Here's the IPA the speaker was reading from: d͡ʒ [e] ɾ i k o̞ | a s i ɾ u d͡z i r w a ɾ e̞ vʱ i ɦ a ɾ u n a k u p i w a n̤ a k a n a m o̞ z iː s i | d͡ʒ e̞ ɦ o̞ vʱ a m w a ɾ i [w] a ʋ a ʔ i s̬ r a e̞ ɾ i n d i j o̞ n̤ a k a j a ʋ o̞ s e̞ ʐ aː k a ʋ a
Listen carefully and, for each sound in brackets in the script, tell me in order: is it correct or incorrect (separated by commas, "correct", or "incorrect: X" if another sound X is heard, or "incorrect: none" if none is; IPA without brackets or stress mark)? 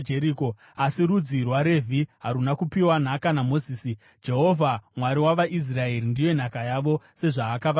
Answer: correct, correct